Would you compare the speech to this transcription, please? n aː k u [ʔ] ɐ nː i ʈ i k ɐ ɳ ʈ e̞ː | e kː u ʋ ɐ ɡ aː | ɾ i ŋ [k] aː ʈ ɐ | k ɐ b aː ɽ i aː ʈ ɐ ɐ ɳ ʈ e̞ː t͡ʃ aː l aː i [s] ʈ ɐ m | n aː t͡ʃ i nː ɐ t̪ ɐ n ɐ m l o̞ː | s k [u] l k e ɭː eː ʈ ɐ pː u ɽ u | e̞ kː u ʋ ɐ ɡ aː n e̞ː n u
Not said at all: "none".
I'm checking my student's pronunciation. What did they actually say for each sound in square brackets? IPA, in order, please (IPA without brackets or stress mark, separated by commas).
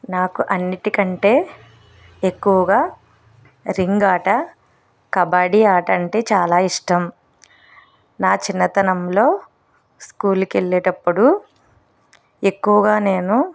ʔ, ɡ, ʂ, uː